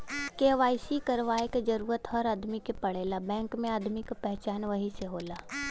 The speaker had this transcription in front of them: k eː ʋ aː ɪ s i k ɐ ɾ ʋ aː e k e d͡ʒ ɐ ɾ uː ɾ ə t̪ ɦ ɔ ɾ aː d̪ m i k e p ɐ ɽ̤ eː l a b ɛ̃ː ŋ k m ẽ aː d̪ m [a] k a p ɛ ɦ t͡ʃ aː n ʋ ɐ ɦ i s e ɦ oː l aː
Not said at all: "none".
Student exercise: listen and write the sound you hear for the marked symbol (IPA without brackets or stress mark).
i